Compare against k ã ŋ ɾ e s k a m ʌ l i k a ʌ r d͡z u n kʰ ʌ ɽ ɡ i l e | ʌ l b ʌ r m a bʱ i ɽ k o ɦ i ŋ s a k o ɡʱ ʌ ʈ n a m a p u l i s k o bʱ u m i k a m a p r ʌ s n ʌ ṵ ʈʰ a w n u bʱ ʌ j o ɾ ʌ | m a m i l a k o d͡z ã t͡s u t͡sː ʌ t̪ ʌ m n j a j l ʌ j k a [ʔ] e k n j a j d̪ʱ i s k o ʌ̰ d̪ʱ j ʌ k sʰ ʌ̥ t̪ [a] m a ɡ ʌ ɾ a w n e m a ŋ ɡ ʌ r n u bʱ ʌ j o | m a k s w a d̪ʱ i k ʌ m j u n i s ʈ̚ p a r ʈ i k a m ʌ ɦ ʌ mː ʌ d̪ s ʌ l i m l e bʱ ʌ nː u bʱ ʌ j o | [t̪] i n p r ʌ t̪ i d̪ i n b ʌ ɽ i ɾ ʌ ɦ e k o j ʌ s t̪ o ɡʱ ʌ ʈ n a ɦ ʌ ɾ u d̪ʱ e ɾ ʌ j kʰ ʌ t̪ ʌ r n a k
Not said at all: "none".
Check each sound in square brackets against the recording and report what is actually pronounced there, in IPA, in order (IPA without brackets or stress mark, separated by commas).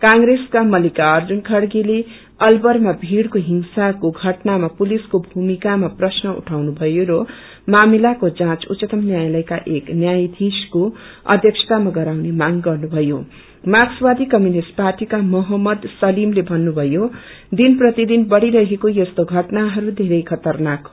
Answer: ʔ, a, d̪